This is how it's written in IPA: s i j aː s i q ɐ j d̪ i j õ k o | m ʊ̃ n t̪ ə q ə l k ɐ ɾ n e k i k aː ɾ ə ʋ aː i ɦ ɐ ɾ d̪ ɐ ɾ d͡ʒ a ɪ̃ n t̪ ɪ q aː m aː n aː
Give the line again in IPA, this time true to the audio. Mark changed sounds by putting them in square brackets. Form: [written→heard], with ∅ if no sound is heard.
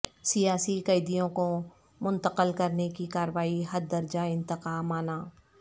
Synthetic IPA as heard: s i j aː s i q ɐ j d̪ i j õ k o | m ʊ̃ n t̪ ə q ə l k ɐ ɾ n e k i k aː ɾ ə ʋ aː i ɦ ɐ ɾ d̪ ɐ ɾ d͡ʒ a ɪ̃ n t̪ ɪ q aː m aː n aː